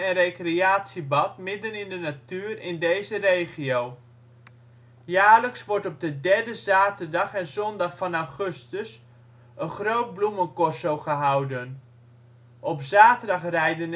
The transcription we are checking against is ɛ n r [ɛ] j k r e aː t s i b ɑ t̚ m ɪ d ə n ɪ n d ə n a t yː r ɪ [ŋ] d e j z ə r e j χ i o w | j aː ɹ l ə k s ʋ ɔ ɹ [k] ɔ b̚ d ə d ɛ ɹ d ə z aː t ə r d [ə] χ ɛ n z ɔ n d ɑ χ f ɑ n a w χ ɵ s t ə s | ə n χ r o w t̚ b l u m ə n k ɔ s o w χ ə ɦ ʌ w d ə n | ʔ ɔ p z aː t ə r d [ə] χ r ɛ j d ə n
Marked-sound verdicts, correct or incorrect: incorrect: e, incorrect: n, incorrect: t, incorrect: ɑ, incorrect: ɑ

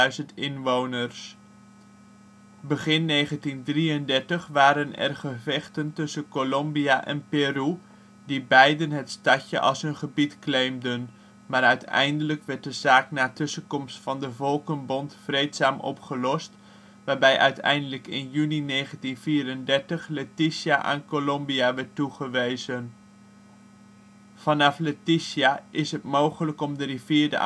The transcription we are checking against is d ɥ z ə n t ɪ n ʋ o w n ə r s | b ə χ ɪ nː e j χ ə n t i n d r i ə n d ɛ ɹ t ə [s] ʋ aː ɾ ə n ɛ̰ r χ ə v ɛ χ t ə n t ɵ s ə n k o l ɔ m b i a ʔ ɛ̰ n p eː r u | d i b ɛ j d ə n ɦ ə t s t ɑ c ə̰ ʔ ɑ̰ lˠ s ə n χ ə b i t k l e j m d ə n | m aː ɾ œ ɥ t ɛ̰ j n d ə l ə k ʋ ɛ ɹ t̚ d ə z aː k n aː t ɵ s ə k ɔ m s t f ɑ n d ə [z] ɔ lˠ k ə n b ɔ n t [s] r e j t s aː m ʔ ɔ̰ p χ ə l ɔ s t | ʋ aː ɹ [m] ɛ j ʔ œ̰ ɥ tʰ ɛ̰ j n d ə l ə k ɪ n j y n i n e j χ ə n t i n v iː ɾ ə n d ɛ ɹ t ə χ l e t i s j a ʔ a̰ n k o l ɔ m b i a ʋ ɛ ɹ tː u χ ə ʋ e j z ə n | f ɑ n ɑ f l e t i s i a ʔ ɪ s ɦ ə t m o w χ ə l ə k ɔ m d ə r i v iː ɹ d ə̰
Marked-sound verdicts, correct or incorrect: incorrect: χ, incorrect: v, incorrect: f, incorrect: b

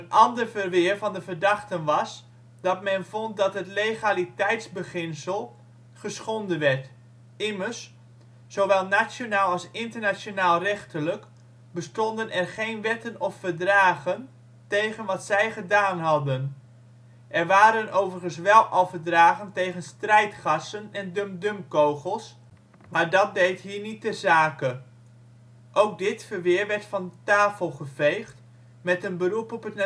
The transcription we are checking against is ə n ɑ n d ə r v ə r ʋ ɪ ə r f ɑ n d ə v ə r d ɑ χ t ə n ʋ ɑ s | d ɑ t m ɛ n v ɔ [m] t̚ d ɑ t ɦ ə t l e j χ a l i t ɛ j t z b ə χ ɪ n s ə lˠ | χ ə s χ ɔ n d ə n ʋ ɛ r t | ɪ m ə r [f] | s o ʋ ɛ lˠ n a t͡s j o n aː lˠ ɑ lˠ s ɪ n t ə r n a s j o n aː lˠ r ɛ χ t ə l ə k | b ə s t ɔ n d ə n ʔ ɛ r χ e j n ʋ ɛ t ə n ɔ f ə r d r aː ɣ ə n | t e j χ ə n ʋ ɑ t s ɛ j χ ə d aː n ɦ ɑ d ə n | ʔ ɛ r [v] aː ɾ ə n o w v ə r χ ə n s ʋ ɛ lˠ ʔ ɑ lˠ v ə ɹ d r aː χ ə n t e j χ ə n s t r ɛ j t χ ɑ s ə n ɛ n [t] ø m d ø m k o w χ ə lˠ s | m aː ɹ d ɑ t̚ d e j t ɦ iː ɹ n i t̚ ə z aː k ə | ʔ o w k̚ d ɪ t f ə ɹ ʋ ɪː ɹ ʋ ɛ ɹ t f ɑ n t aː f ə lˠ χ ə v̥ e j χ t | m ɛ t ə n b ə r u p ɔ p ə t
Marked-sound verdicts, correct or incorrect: incorrect: n, incorrect: s, incorrect: ʋ, incorrect: d

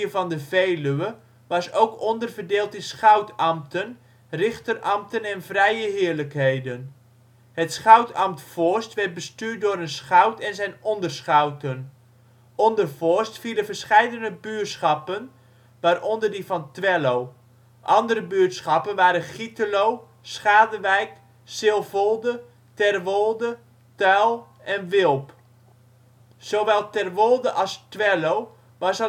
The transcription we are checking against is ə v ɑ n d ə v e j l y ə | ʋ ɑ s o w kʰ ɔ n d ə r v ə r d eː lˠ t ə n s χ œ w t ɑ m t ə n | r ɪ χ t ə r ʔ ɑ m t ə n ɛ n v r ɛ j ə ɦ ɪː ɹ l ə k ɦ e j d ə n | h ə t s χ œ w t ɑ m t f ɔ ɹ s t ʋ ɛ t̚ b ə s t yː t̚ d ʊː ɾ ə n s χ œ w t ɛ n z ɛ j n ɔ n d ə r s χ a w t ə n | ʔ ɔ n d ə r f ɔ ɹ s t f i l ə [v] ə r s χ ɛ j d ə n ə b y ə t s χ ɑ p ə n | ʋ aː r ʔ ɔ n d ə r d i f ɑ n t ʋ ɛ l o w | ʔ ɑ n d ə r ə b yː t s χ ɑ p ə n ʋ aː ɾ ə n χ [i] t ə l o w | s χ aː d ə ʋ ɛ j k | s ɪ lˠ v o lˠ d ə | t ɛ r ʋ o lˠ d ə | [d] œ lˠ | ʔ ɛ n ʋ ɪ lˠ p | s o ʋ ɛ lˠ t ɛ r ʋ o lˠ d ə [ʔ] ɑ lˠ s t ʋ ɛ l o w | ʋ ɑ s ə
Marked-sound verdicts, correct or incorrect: correct, correct, incorrect: t, correct

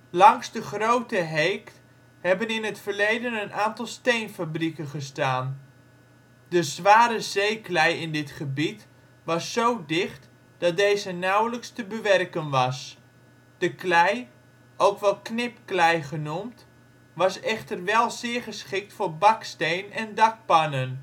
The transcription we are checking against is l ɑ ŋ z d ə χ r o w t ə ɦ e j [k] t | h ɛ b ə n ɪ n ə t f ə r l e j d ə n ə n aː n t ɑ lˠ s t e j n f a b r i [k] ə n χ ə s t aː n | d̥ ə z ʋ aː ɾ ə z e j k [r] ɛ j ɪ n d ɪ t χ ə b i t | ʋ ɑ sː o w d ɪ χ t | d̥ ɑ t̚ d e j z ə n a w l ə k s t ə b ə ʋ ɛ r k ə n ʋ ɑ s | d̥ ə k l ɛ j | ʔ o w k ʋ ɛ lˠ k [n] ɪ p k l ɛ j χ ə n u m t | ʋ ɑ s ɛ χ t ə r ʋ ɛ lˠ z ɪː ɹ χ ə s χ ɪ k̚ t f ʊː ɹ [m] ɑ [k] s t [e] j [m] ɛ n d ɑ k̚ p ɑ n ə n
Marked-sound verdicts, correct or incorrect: correct, correct, incorrect: l, correct, incorrect: b, correct, correct, incorrect: n

